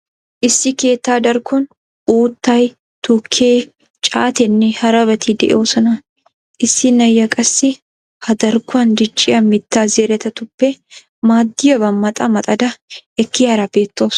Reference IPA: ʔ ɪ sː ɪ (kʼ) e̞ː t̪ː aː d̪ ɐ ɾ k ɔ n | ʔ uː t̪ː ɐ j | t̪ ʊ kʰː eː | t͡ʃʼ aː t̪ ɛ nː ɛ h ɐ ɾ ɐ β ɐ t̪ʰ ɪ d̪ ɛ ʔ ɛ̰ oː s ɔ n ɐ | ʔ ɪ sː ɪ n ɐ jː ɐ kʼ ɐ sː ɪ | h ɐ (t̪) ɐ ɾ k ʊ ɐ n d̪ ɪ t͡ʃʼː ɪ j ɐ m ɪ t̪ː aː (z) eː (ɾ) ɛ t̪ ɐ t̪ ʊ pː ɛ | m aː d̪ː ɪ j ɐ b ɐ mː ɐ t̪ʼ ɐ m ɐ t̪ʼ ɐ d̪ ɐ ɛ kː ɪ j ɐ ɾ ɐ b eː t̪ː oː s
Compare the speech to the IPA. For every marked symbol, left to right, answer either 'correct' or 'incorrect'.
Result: incorrect, incorrect, correct, correct

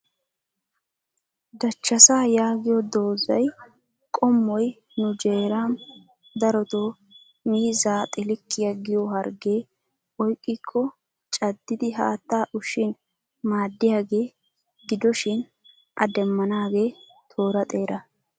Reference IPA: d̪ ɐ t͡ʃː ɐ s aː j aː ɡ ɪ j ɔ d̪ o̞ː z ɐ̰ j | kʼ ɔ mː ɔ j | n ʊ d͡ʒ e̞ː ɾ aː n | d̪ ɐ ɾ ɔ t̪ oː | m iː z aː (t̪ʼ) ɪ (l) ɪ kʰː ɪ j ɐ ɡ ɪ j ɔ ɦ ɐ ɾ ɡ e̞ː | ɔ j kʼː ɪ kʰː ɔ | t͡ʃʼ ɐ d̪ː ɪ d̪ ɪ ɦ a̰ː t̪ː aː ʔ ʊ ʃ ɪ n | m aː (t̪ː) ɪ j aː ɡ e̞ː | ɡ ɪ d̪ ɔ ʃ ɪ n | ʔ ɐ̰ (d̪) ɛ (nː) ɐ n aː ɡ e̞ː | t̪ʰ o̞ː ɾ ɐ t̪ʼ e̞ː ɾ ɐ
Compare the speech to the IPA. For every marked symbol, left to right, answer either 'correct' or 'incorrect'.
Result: correct, correct, incorrect, correct, incorrect

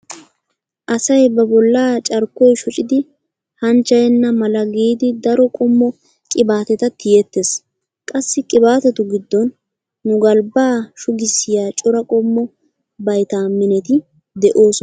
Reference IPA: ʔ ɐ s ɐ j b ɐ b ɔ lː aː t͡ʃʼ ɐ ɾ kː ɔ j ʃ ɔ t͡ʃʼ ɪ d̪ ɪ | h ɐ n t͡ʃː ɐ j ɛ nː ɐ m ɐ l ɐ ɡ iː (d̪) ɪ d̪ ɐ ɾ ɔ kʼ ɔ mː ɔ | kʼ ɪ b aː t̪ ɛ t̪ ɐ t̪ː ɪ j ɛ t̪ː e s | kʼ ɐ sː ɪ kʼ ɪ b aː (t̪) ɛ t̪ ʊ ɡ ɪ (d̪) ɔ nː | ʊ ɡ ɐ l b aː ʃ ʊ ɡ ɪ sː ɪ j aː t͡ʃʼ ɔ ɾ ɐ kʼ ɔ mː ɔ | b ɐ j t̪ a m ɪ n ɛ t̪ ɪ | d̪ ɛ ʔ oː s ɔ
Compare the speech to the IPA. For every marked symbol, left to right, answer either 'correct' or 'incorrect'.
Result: correct, correct, incorrect

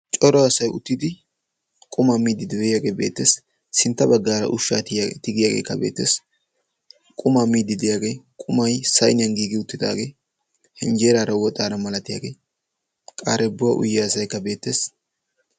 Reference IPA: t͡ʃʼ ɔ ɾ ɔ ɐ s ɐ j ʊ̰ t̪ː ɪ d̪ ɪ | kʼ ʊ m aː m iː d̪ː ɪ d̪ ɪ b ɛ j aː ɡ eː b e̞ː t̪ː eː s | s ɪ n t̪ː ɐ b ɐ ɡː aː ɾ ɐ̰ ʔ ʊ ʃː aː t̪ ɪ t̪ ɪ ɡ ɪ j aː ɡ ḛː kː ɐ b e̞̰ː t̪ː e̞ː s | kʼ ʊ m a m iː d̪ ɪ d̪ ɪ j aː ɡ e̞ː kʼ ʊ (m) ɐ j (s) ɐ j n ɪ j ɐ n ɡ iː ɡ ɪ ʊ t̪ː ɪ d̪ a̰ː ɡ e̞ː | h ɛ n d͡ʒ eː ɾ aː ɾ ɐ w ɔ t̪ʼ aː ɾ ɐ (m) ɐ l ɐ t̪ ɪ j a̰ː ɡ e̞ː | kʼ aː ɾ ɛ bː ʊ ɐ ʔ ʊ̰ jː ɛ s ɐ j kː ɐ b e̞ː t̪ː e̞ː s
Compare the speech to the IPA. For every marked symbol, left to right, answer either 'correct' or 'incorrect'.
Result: correct, correct, correct

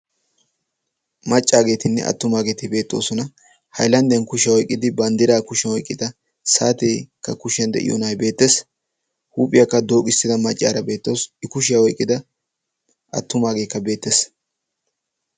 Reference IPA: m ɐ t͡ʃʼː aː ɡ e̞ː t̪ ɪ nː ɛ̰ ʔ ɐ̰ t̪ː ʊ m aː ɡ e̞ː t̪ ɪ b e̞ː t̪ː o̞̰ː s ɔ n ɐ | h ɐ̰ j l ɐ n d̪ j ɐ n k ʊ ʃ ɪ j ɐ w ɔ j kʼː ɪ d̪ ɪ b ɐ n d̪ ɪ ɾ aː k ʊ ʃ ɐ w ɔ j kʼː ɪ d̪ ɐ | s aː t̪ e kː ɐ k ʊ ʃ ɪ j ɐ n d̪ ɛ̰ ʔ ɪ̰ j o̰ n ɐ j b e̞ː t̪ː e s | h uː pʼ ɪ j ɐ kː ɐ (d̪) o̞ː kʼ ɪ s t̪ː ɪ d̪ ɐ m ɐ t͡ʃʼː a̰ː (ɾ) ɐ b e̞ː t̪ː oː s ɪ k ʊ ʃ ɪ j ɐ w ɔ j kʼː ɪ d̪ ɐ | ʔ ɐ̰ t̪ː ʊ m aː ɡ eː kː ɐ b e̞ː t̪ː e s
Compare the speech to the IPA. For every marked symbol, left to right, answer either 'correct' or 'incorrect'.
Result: correct, correct

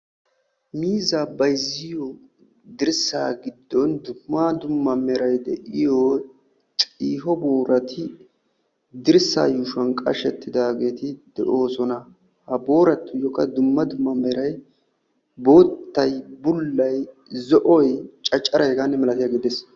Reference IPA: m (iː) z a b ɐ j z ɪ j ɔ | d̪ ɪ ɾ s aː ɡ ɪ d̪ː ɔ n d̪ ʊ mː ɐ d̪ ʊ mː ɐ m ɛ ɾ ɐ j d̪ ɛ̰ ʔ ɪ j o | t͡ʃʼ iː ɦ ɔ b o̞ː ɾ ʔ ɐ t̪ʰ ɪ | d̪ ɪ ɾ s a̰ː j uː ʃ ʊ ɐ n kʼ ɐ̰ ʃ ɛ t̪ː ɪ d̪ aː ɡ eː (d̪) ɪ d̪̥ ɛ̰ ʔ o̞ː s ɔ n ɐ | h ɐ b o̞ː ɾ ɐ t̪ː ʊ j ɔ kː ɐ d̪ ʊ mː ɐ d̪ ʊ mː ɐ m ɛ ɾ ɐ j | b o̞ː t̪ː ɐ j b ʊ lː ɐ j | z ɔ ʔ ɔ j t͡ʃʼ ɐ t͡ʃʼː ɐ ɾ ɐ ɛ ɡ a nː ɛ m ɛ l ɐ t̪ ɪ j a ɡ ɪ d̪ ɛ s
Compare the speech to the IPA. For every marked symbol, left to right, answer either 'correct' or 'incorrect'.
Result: correct, incorrect

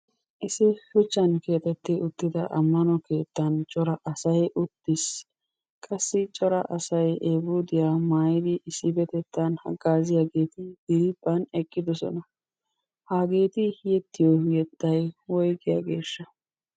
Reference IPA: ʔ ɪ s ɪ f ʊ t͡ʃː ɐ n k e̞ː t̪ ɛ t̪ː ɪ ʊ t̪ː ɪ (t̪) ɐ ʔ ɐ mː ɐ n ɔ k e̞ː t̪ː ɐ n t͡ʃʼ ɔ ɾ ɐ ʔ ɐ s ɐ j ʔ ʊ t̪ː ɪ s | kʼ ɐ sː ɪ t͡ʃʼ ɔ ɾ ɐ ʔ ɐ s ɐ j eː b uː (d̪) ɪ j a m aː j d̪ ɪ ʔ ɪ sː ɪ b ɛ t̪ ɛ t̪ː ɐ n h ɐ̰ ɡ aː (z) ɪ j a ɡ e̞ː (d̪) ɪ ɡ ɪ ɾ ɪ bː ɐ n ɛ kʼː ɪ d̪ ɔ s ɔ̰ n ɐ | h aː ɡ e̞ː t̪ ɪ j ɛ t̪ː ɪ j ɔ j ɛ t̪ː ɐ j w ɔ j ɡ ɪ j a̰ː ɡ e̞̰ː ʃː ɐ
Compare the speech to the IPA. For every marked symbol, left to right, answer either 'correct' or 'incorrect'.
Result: incorrect, correct, correct, incorrect

